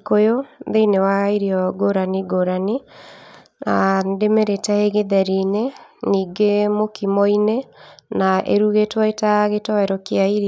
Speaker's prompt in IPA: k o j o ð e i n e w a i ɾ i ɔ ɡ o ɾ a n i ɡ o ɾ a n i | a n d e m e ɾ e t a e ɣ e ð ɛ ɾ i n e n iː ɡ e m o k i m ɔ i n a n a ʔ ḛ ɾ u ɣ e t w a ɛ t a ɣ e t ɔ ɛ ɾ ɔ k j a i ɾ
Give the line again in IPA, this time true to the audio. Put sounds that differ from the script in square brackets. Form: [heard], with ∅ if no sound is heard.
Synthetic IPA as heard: k o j o ð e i n e w a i ɾ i ɔ ɡ o ɾ a n i ɡ o ɾ a n i | a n d e m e ɾ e t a e ɣ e ð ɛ ɾ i n e n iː ɡ e m o k i m ɔ i n [e] n a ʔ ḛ ɾ u ɣ e t w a [e] t a ɣ e t ɔ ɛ ɾ ɔ k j a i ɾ